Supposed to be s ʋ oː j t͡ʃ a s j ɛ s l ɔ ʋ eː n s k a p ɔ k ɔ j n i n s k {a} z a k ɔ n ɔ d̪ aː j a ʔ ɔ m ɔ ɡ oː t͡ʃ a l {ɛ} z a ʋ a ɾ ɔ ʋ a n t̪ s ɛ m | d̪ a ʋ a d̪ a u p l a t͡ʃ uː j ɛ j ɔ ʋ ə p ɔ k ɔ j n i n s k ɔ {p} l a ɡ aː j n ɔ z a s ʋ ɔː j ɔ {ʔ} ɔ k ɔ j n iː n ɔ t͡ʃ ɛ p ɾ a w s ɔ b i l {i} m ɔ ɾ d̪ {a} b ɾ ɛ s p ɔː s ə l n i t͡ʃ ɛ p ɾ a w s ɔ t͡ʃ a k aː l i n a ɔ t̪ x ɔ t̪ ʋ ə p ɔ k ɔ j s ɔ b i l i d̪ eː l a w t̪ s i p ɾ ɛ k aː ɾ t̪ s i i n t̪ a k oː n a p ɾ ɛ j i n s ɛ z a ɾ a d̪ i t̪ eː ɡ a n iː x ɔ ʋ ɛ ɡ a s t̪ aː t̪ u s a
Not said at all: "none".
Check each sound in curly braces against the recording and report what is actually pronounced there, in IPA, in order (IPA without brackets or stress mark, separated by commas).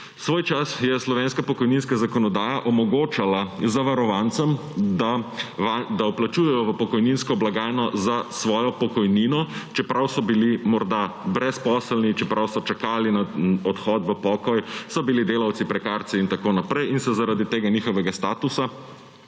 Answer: a, a, b, p, i, a